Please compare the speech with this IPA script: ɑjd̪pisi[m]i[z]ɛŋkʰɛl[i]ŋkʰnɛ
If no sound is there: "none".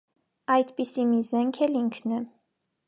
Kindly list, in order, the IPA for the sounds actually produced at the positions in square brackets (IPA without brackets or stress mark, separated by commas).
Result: m, z, i